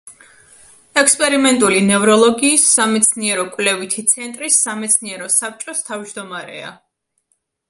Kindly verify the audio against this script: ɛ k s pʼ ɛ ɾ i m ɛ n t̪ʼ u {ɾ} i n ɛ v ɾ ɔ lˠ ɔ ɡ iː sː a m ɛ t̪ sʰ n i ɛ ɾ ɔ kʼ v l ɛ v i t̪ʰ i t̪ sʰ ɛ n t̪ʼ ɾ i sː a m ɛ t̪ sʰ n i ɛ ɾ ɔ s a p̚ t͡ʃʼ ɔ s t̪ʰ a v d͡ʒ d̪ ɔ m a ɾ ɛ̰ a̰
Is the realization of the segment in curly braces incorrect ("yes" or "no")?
yes